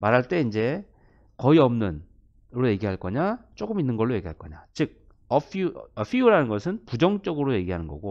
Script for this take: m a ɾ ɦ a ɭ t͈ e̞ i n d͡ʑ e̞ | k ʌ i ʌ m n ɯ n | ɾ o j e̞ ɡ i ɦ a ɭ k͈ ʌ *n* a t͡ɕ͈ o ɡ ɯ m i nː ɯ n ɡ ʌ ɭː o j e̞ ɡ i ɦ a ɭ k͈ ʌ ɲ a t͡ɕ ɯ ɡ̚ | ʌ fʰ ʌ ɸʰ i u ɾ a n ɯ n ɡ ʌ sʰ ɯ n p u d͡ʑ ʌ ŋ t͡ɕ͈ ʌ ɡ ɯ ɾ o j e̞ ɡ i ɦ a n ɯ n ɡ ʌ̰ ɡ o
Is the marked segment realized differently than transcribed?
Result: yes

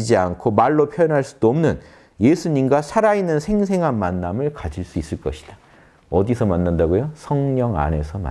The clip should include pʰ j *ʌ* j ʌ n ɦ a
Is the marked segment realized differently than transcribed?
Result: no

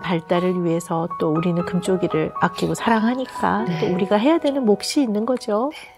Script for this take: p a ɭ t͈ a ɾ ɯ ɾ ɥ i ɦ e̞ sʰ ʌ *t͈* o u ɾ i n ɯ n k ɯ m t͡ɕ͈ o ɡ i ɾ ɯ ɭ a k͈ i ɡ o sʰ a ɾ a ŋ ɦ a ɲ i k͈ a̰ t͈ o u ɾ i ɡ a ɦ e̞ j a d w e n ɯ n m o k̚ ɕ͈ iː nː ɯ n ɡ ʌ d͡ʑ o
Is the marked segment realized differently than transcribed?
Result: no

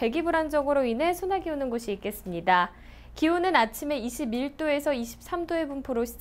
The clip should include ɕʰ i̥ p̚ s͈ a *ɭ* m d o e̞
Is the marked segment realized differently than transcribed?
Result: yes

